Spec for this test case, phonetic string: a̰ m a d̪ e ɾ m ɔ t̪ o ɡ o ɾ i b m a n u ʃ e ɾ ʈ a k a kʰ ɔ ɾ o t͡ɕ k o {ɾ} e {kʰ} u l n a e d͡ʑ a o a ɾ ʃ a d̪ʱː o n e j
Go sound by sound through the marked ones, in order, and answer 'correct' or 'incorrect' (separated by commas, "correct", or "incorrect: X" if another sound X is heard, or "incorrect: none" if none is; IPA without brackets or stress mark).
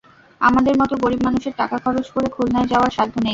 correct, correct